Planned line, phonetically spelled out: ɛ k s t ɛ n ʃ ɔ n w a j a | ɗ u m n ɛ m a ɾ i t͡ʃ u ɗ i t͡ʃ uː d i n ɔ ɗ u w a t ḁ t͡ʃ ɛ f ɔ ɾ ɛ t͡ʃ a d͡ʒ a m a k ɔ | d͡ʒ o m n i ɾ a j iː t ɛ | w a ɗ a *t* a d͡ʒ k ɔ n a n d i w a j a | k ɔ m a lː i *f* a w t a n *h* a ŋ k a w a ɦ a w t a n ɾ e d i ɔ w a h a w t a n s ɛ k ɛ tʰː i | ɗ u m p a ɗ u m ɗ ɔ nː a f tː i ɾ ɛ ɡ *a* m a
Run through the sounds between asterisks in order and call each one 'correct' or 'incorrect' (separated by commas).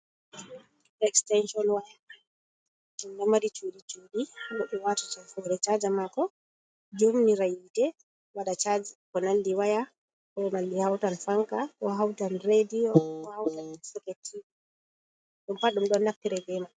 incorrect, incorrect, incorrect, incorrect